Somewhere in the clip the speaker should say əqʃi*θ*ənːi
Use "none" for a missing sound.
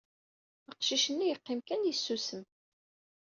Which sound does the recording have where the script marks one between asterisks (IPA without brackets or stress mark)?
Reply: ʃ